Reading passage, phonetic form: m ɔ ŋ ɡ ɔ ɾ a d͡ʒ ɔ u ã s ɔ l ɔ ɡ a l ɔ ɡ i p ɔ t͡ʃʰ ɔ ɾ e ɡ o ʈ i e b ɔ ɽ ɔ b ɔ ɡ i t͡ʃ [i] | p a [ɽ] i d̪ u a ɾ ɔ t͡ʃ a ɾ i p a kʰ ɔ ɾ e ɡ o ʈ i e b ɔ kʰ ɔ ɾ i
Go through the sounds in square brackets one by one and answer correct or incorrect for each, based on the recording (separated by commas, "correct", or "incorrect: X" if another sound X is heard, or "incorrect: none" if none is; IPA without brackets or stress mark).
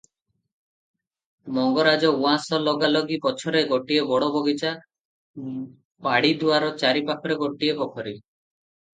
incorrect: a, correct